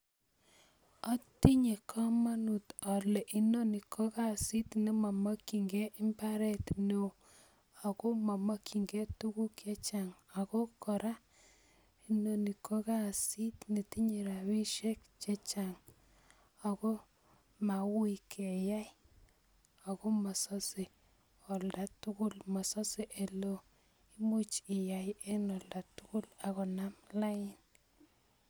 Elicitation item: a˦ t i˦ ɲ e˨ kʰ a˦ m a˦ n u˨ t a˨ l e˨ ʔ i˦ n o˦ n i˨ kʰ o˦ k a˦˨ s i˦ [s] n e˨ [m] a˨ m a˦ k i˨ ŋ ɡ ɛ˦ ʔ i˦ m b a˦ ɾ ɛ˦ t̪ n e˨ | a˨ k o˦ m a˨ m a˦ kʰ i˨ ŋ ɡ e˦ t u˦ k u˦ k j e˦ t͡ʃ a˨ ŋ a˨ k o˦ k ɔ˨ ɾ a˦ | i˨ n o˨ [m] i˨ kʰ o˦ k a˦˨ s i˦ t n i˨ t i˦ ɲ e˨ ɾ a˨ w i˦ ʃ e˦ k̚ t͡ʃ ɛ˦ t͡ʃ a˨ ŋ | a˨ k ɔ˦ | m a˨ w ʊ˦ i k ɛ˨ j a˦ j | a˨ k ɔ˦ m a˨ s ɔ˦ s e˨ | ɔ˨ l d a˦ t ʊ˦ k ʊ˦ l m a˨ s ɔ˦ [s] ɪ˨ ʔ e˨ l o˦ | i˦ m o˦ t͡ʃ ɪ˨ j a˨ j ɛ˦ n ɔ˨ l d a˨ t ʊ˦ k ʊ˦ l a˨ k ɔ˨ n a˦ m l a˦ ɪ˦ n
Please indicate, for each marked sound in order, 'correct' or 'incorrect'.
incorrect: t, correct, incorrect: n, correct

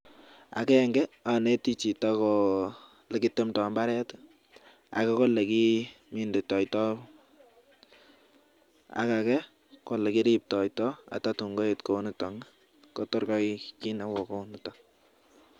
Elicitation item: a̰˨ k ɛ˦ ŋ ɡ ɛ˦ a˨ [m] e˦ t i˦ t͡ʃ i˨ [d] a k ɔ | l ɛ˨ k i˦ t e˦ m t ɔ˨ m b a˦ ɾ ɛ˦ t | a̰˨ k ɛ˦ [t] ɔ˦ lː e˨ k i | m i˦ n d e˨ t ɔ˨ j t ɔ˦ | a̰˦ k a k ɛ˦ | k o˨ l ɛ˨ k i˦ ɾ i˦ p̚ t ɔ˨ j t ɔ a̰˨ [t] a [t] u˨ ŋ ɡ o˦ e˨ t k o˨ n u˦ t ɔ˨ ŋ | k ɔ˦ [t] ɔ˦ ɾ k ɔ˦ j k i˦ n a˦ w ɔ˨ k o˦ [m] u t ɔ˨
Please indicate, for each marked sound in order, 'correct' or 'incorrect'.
incorrect: n, incorrect: t, incorrect: k, correct, correct, correct, incorrect: n

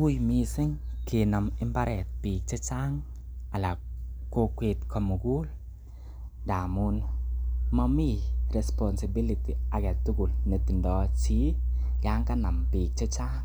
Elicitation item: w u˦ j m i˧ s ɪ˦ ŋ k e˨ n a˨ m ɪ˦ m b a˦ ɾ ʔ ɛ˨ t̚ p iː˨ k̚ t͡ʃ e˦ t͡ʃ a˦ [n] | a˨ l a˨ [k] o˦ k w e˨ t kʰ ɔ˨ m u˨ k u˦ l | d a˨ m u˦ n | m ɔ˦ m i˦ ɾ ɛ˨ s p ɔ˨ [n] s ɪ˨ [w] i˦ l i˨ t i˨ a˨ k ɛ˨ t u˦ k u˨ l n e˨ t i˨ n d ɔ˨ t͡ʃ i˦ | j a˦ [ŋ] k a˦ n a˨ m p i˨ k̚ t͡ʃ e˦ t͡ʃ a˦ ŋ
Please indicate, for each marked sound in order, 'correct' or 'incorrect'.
incorrect: ŋ, correct, correct, incorrect: b, correct

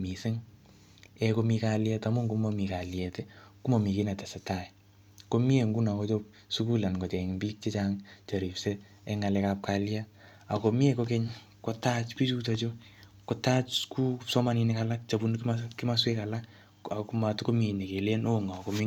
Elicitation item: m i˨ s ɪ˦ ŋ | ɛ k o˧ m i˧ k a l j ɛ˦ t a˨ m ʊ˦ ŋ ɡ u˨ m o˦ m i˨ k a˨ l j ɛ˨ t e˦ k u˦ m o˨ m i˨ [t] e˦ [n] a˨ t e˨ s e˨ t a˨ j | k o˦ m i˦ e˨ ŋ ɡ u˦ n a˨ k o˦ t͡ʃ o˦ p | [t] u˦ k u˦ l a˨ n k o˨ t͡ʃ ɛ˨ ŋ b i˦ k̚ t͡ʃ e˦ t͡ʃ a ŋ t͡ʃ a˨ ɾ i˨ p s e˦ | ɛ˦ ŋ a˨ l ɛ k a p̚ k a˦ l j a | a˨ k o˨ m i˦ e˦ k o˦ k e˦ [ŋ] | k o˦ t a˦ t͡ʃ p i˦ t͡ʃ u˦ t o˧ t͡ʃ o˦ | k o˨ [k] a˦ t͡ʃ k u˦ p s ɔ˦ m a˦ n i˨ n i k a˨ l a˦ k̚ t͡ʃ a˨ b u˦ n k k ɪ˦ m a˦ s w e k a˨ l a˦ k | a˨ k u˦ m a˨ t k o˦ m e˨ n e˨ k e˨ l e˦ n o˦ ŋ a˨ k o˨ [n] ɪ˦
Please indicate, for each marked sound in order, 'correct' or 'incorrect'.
incorrect: k, correct, incorrect: s, incorrect: ɲ, incorrect: t, incorrect: m

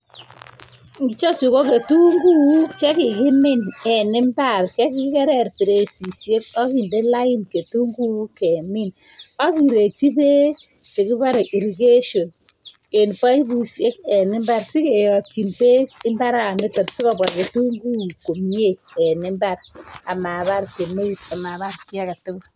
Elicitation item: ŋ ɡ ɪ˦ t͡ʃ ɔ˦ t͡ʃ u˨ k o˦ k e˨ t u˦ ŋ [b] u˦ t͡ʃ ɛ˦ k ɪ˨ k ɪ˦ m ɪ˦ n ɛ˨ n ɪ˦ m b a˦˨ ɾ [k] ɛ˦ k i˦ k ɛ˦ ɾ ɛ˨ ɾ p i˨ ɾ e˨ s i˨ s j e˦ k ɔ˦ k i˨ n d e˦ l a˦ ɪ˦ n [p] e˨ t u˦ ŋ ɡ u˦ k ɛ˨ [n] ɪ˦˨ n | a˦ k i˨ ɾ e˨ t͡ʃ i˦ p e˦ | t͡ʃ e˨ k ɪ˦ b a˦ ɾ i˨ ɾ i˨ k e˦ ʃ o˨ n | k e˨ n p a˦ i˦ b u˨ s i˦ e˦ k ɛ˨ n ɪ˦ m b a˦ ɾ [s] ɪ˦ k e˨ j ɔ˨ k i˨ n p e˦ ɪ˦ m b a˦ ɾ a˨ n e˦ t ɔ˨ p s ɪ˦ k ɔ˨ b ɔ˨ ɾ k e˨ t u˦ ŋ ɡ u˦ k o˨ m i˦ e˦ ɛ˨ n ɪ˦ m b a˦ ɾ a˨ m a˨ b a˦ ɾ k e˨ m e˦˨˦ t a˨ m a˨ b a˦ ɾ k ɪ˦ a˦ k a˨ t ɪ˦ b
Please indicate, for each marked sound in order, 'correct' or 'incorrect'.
incorrect: ɡ, correct, incorrect: k, incorrect: m, correct

